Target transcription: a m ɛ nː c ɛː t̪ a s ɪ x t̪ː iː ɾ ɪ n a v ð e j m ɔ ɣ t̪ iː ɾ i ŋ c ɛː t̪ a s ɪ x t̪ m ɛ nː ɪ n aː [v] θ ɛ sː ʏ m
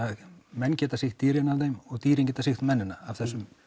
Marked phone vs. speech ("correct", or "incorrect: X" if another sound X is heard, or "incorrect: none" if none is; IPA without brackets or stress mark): correct